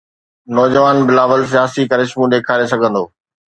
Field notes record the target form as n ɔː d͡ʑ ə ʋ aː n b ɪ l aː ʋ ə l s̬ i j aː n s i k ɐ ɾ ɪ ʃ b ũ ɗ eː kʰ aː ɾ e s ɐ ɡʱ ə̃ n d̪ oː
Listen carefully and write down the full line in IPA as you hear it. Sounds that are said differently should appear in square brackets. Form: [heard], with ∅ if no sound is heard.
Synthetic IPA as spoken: n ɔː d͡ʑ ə ʋ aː n b ɪ l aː ʋ ə l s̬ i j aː [∅] s i k ɐ ɾ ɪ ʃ [m] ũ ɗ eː kʰ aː ɾ e s ɐ ɡʱ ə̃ n d̪ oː